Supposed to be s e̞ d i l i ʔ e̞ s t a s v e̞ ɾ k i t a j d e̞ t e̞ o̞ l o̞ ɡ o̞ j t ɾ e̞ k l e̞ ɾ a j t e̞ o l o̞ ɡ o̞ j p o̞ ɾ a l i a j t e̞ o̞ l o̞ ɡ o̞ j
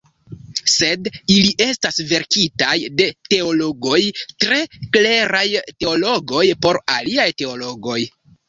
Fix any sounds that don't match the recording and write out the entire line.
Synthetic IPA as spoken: s e̞ d i l i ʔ e̞ s t a s v e̞ ɾ k i t a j d e̞ t e̞ o̞ l o̞ ɡ o̞ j t ɾ e̞ k l e̞ ɾ a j t e̞ o l o̞ ɡ o̞ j p o̞ ɾ a l i a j t e̞ o̞ l o̞ ɡ o̞ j